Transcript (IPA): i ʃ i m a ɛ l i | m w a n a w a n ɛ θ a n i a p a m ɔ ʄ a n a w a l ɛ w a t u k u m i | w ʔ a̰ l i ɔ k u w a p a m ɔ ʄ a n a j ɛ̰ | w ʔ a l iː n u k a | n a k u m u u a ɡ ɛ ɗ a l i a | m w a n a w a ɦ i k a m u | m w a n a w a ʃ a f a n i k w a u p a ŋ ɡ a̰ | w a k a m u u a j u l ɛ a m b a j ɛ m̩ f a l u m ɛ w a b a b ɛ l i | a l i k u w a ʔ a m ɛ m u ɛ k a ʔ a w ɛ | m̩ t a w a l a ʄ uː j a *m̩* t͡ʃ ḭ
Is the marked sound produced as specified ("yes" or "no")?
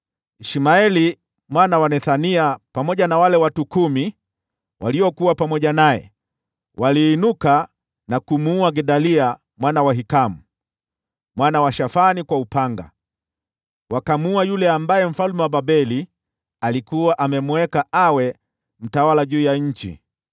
no